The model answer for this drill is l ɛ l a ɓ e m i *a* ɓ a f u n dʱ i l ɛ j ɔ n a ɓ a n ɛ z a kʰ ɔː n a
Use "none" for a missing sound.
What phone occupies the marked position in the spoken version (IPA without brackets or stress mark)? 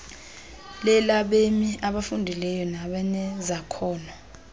a